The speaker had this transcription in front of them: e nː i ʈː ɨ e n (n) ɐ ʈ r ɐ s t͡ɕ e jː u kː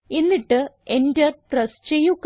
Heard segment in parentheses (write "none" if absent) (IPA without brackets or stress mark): d